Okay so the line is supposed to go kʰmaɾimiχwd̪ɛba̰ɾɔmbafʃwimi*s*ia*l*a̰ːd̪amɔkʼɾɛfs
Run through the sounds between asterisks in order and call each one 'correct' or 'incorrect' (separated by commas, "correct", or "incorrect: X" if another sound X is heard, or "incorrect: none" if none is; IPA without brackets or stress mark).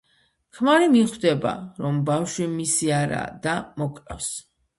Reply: correct, incorrect: ɾ